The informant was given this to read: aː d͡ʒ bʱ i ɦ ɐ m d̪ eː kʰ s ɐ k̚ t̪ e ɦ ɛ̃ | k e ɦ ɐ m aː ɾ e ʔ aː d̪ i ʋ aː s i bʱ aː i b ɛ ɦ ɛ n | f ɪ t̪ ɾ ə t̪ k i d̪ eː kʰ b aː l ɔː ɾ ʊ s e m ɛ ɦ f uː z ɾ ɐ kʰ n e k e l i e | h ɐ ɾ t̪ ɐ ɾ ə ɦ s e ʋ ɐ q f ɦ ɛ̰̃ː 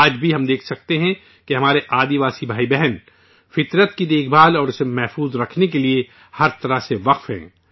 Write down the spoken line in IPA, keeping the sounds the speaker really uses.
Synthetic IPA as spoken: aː d͡ʒ bʱ i ɦ ɐ m d̪ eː kʰ s ɐ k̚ t̪ e ɦ ɛ̃ | k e ɦ ɐ m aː ɾ e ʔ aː d̪ i ʋ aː s i bʱ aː i b ɛ ɦ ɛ n | f ɪ t̪ ɾ ə t̪ k i d̪ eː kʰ b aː l ɔː ɾ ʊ s e m ɛ ɦ f uː z ɾ ɐ kʰ n e k e l i e | h ɐ ɾ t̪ ɐ ɾ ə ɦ s e ʋ ɐ q f ɦ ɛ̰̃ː

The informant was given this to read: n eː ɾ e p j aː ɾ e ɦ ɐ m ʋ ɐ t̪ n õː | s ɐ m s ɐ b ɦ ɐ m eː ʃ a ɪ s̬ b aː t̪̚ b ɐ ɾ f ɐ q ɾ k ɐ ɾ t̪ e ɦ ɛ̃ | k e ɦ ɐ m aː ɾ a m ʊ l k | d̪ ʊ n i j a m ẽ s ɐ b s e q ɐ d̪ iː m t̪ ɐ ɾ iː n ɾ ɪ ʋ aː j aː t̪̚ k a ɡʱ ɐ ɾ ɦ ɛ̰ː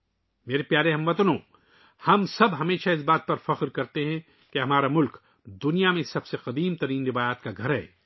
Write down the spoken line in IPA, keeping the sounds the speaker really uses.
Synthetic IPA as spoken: m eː ɾ e p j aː ɾ e ɦ ɐ m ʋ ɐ t̪ n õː | h ɐ m s ɐ b ɦ ɐ m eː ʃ a ɪ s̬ b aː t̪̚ p ɐ ɾ f ɐ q ɾ k ɐ ɾ t̪ e ɦ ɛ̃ | k e ɦ ɐ m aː ɾ a m ʊ l k | d̪ ʊ n i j a m ẽ s ɐ b s e q ɐ d̪ iː m t̪ ɐ ɾ iː n ɾ ɪ ʋ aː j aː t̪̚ k a ɡʱ ɐ ɾ ɦ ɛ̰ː

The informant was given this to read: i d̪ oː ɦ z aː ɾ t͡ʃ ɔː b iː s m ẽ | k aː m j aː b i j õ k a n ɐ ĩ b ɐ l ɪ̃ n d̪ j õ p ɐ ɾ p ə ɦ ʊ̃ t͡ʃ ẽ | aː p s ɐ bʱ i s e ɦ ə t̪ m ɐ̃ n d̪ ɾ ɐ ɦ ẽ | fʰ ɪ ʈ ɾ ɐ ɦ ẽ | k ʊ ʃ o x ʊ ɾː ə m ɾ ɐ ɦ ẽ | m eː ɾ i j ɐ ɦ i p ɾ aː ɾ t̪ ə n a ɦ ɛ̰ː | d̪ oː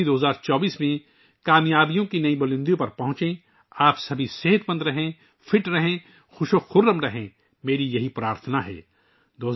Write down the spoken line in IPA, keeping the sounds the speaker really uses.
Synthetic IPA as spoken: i d̪ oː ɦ z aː ɾ t͡ʃ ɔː b iː s m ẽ | k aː m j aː b i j õ k i n ɐ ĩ b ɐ l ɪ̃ n d̪ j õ p ɐ ɾ p ɐ ɦ ʊ̃ t͡ʃ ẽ | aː p s ɐ bʱ i s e ɦ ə t̪ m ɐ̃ n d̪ ɾ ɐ ɦ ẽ | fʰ ɪ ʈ ɾ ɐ ɦ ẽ | x ʊ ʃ o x ʊ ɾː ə m ɾ ɐ ɦ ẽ | m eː ɾ i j ɐ ɦ i p ɾ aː ɾ t̪ʰ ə n a ɦ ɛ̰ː | d̪ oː

